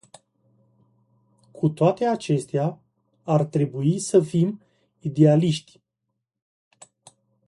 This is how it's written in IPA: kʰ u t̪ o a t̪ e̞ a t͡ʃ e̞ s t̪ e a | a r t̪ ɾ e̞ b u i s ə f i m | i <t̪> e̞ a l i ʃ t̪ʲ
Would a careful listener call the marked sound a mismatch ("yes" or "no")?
yes